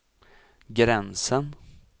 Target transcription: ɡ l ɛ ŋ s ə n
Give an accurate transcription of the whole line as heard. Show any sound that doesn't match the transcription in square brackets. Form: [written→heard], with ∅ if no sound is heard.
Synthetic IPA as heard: ɡ [l→ɾ] ɛ [ŋ→n] s ə n